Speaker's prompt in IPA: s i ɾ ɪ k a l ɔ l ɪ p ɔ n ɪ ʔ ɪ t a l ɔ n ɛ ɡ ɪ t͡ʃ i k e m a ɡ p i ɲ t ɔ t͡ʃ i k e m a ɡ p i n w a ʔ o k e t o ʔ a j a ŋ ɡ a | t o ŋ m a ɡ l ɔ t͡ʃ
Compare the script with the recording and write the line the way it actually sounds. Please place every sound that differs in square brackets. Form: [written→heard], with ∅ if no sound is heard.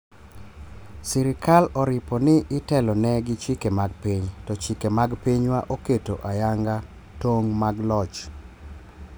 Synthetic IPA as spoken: s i ɾ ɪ k a l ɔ [l→ɾ] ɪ p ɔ n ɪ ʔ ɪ t [a→ɛ] l ɔ n ɛ ɡ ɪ t͡ʃ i k e m a ɡ p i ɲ t ɔ t͡ʃ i k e m a ɡ p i [n→ɲ] w a ʔ o k e t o ʔ a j a ŋ ɡ a | t o ŋ m a ɡ l ɔ t͡ʃ